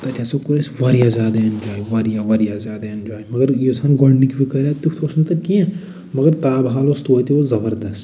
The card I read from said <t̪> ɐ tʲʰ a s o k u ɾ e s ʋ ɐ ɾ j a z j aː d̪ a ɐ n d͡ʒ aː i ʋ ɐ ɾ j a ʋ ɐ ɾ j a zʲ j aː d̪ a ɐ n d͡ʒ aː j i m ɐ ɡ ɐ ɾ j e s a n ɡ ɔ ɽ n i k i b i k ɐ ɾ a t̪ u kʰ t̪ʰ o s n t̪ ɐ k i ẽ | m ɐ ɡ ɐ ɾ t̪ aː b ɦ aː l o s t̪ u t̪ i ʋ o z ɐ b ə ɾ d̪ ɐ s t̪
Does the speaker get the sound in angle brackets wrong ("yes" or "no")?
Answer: no